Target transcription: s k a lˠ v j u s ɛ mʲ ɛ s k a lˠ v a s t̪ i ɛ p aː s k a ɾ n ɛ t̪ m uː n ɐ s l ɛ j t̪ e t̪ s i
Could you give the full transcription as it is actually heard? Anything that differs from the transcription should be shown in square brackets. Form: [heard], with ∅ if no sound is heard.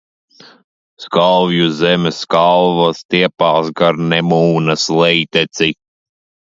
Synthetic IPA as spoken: s k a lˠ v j u [z] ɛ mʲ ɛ s k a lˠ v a s t̪ i ɛ p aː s [ɡ] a ɾ n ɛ [∅] m uː n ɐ s l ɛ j t̪ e t̪ s i